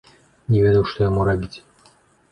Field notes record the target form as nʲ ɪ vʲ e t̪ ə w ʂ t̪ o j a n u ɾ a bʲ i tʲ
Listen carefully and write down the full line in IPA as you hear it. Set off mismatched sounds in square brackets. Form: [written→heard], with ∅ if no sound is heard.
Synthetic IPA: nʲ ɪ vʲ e [t̪→d̪] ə w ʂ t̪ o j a [n→m] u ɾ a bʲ i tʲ